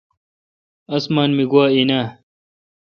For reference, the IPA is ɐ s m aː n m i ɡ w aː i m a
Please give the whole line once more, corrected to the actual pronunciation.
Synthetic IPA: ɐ s m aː n m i ɡ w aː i n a